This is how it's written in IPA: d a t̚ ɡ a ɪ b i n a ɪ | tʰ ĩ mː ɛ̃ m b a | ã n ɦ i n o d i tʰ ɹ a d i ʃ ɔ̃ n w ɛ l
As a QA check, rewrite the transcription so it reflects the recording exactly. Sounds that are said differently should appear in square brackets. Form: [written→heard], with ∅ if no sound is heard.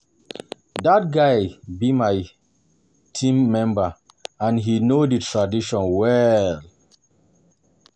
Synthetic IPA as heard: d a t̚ ɡ a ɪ b i [n→m] a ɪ | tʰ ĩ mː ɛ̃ m b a | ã n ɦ i n o d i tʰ ɹ a d i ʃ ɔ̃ n w ɛ l